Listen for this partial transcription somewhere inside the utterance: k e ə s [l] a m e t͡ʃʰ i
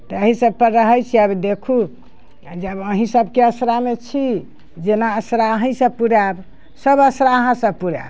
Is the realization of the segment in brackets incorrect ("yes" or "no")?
yes